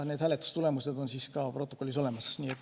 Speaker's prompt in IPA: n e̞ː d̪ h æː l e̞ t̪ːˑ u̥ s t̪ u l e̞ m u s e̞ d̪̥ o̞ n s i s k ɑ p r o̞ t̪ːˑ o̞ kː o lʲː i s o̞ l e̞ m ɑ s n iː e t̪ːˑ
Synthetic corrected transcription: n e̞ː d̪ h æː l e̞ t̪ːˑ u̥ s t̪ u l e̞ m u s e̞ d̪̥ o̞ n s i s k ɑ p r o̞ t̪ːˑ o̞ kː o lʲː i s o̞ l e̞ m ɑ s n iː e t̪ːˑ